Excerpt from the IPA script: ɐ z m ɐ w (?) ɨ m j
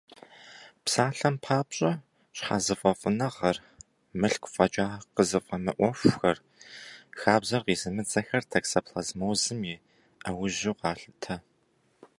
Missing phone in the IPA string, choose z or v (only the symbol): z